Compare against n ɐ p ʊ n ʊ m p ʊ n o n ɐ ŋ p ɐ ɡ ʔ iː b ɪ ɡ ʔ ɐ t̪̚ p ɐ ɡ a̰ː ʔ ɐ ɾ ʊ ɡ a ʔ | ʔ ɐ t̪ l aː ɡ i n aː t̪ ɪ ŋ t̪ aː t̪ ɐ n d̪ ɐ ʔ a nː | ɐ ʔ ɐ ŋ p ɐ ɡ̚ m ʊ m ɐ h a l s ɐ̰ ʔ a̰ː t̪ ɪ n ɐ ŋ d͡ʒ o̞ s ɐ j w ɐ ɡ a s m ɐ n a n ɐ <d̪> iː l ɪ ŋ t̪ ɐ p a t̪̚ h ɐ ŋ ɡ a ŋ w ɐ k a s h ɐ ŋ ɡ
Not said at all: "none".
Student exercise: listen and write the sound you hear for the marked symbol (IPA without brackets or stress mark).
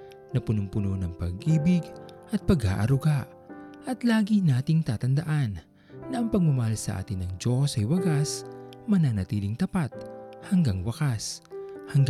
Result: t̪